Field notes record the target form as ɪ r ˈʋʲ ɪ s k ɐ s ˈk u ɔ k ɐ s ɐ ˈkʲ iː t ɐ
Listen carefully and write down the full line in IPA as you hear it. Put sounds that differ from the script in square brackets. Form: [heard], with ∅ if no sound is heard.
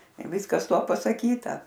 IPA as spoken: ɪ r ˈʋʲ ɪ s k ɐ s [ˈt] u ɔ [p] ɐ s ɐ ˈkʲ iː t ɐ